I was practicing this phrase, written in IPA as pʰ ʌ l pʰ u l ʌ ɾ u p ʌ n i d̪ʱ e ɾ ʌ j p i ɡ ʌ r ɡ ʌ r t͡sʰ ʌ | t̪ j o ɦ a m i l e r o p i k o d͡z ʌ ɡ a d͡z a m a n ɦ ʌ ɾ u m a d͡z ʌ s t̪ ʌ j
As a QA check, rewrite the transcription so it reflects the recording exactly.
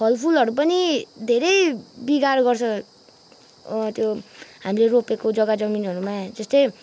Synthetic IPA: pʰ ʌ l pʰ u l ʌ ɾ u p ʌ n i d̪ʱ e ɾ ʌ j b i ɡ a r ɡ ʌ r t͡sʰ ʌ | t̪ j o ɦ a m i l e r o p e k o d͡z ʌ ɡ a d͡z ʌ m i n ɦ ʌ ɾ u m a d͡z ʌ s t̪ ʌ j